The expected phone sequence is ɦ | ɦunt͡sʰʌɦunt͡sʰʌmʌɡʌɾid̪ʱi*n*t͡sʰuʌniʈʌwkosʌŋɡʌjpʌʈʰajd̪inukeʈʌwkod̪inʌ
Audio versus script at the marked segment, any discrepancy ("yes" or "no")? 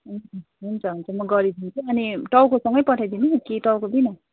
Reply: no